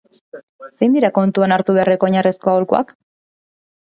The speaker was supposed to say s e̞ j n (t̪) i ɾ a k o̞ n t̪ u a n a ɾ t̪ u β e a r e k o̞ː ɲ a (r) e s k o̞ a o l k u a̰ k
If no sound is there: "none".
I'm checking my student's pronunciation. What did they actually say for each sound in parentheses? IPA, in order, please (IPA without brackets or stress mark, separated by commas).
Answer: d̪, r